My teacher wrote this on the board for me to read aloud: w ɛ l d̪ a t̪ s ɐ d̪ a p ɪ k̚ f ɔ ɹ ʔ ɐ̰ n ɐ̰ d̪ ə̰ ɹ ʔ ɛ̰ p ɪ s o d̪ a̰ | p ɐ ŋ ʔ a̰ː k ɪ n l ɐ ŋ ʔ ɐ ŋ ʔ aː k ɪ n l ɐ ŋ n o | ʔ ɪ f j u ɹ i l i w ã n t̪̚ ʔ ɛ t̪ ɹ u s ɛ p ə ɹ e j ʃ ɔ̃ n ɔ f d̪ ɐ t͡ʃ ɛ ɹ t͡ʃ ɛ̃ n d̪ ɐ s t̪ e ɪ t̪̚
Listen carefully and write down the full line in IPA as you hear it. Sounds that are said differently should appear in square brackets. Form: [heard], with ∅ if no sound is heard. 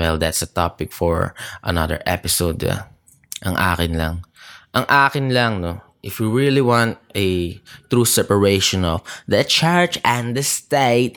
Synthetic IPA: w ɛ l d̪ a t̪ s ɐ [t̪] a p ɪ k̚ f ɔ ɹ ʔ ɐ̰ n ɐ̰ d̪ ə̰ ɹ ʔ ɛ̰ p ɪ s o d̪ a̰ | [ʔ] ɐ ŋ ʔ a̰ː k ɪ n l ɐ ŋ ʔ ɐ ŋ ʔ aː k ɪ n l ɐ ŋ n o | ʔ ɪ f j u ɹ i l i w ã n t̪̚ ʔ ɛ t̪ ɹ u s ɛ p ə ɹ e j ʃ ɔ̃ n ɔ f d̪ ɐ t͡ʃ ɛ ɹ t͡ʃ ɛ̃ n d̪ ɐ s t̪ e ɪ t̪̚